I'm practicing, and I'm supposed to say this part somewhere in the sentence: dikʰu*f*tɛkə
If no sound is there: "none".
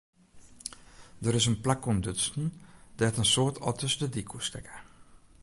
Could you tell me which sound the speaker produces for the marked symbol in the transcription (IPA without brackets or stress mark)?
s